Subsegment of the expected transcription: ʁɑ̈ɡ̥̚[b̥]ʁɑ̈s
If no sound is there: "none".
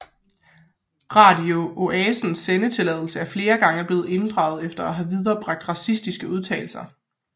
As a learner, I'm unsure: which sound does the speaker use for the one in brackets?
d̥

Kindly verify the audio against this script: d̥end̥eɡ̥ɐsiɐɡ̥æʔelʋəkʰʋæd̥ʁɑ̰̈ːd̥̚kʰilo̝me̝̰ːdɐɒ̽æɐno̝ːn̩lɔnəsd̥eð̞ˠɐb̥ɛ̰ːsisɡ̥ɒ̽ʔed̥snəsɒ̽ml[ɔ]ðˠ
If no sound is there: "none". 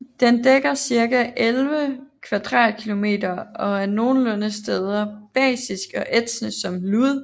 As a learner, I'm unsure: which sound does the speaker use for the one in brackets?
u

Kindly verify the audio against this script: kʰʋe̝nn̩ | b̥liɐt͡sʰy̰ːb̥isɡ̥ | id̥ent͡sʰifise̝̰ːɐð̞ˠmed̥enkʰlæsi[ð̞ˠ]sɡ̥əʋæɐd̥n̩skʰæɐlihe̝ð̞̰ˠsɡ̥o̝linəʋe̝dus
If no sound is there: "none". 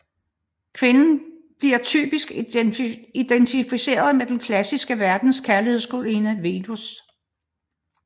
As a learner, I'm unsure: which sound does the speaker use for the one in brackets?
none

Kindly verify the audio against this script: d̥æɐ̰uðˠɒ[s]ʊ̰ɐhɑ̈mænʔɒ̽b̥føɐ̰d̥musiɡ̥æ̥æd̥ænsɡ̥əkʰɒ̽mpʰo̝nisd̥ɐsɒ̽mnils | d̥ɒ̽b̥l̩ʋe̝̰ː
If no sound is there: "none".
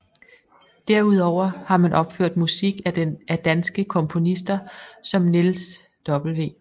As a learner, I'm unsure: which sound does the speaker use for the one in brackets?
none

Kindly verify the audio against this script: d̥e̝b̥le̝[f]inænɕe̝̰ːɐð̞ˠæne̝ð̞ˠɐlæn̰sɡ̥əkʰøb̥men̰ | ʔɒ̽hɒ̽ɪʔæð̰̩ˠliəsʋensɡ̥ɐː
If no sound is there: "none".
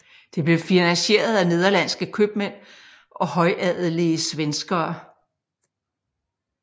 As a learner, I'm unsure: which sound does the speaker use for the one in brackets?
f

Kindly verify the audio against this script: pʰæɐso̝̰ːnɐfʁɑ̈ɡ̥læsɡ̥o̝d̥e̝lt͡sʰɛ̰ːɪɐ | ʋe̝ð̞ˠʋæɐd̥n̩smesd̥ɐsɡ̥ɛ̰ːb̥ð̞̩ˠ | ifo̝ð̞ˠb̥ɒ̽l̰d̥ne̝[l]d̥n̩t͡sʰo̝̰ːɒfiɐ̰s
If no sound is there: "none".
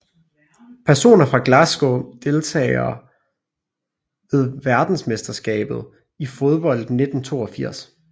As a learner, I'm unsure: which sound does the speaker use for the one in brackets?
none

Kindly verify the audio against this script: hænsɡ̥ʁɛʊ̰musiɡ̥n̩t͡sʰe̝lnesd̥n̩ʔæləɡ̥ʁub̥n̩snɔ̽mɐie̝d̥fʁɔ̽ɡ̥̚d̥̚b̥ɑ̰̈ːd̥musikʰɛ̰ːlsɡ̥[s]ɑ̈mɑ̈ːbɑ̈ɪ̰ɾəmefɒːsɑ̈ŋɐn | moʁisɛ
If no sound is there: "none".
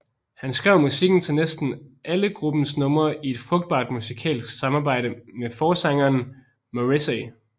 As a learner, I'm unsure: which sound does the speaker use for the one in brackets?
s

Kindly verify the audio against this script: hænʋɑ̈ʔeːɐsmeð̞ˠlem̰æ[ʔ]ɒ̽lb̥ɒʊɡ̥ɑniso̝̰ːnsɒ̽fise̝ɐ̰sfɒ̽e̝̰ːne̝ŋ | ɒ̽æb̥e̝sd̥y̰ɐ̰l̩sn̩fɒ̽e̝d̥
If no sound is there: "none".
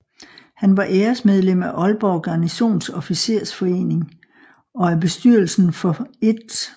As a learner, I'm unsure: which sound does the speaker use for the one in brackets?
ʔ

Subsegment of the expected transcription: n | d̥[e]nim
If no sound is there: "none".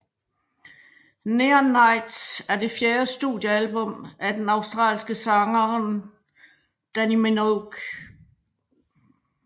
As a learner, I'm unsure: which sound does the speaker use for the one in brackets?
æ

